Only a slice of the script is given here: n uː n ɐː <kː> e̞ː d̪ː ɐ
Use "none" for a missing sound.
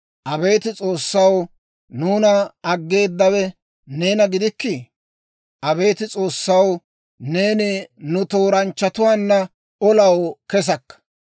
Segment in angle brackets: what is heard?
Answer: ɡː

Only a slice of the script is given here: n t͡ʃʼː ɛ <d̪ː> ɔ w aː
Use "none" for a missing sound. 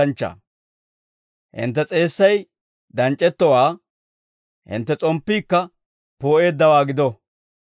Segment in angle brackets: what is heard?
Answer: t̪ː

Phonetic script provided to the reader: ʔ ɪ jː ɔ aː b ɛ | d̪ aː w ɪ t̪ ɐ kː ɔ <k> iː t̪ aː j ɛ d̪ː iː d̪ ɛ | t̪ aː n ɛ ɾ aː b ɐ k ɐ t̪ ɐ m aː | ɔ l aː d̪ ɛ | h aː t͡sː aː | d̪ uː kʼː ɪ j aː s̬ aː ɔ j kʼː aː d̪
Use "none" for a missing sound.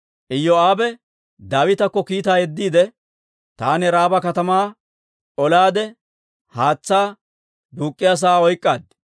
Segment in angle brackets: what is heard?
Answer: k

